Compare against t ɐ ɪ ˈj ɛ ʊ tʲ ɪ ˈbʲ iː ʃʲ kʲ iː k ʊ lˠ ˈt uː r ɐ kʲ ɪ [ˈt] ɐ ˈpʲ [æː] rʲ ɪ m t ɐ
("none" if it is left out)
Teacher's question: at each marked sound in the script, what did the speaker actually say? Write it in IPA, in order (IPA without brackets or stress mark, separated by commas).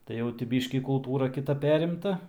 t, æː